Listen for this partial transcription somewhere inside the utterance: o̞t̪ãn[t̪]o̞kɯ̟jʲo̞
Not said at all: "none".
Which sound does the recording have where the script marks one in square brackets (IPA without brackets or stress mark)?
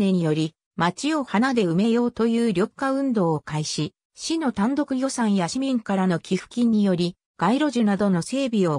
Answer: d̪